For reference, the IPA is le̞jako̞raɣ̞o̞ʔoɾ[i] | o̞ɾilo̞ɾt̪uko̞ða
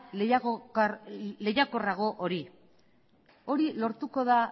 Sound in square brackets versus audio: correct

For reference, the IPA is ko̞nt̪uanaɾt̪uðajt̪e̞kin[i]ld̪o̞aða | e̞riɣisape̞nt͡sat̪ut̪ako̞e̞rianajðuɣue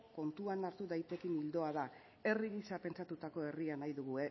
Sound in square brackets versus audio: correct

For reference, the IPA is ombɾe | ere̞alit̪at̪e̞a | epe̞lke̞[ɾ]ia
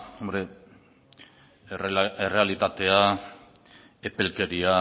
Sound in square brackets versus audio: correct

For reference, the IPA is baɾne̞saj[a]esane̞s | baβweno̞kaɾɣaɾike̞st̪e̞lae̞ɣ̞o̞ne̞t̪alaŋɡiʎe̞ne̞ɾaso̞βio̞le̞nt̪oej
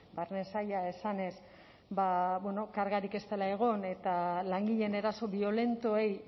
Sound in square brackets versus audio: correct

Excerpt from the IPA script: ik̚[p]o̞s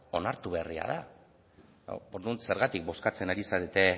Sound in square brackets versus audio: incorrect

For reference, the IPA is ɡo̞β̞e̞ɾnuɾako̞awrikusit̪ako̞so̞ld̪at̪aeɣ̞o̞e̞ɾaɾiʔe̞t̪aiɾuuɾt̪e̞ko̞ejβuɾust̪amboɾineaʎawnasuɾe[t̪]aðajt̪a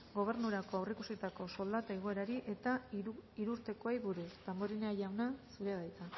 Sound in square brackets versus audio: incorrect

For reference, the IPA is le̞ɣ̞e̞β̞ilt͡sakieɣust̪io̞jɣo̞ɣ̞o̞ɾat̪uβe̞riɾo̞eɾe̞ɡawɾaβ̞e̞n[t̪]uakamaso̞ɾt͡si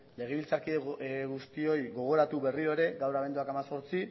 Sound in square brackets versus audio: incorrect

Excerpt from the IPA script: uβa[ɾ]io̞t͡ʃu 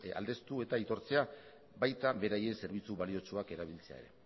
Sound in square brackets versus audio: incorrect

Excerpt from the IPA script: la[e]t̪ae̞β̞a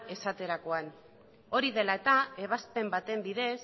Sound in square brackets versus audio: correct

